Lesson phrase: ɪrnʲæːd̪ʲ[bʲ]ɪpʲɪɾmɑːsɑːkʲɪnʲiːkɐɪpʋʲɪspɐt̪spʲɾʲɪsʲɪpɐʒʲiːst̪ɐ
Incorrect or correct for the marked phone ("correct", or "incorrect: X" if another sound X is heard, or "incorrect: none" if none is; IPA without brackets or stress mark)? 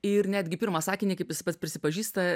incorrect: ɡʲ